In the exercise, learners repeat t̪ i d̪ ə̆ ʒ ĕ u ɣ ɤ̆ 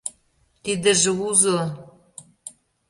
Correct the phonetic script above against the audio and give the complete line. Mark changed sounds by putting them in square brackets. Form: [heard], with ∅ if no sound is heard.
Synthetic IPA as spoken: t̪ i d̪ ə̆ ʒ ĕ u [z] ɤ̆

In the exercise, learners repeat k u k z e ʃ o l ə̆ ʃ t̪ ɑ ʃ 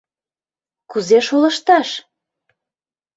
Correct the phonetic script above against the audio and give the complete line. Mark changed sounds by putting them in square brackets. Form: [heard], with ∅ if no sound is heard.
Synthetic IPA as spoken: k u [∅] z e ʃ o l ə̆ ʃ t̪ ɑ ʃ

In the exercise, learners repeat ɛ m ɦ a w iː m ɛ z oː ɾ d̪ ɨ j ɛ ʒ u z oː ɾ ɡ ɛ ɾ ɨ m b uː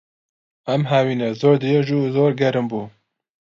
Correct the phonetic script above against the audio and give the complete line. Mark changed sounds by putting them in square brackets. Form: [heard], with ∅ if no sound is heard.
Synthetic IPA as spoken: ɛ m ɦ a w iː [n] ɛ z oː ɾ d̪ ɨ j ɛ ʒ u z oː ɾ ɡ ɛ ɾ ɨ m b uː

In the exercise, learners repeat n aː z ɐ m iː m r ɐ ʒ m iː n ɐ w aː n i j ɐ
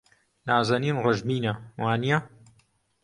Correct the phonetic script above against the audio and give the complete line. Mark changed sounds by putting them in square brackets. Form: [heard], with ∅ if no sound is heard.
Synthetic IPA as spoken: n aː z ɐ [n] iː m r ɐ ʒ m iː n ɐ w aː n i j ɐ

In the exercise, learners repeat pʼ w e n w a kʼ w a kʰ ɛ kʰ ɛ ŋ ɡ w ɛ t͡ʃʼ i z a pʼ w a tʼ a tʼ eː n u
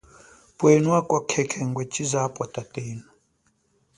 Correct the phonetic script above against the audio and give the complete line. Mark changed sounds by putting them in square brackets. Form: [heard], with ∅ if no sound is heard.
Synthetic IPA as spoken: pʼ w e n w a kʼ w a kʰ ɛ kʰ ɛ ŋ ɡ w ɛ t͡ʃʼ i z a pʼ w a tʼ a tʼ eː n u

